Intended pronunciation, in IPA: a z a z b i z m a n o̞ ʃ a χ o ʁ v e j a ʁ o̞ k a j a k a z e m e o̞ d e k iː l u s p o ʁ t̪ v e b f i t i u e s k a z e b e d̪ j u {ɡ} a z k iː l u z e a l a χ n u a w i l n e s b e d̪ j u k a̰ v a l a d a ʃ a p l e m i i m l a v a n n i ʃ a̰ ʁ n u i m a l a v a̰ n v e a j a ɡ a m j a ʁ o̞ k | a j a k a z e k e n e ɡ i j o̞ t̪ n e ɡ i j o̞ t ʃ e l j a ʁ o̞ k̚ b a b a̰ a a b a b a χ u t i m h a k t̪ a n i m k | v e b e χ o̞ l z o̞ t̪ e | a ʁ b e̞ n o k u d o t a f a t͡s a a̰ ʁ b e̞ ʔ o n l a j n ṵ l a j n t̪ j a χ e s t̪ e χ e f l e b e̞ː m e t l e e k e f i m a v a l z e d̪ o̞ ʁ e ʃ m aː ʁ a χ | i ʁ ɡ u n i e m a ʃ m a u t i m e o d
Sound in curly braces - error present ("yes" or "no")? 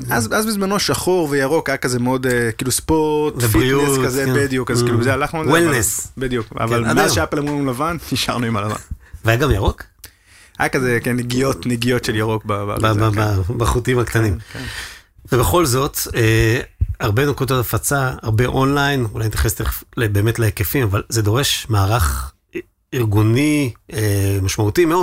yes